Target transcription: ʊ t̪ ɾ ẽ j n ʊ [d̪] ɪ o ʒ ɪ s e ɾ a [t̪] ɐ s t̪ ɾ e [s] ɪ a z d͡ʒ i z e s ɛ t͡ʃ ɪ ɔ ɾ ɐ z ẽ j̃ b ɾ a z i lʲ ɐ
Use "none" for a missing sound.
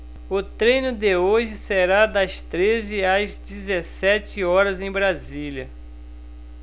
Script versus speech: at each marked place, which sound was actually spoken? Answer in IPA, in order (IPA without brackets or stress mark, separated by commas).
d̪, d̪, z